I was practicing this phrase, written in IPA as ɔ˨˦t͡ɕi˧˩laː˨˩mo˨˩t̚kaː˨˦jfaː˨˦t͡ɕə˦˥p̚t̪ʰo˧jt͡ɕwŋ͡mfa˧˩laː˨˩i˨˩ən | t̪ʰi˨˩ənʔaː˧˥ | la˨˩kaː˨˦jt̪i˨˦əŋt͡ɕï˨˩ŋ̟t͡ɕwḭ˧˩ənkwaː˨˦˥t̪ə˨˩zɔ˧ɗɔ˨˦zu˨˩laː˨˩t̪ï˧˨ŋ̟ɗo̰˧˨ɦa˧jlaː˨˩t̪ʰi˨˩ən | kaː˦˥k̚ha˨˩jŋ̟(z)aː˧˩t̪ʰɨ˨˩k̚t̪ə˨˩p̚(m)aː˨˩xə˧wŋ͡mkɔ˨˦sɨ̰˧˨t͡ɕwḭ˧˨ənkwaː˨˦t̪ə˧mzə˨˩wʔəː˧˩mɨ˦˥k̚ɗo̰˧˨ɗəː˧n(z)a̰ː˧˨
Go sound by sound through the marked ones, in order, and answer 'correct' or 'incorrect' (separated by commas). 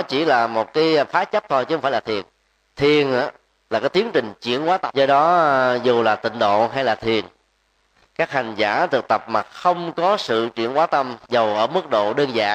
correct, correct, correct